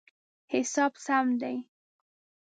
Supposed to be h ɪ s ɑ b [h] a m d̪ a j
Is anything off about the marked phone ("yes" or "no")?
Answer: yes